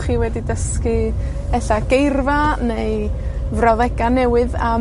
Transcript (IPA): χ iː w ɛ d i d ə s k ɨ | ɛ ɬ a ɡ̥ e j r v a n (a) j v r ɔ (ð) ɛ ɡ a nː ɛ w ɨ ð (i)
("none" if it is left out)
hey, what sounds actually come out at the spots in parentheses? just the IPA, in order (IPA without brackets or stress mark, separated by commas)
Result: e, ð, a